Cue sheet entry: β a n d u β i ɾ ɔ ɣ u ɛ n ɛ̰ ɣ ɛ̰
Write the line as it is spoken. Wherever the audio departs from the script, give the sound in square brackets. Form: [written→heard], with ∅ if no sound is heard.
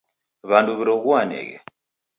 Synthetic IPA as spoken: β a n d u β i ɾ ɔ ɣ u [ɛ→a] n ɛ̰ ɣ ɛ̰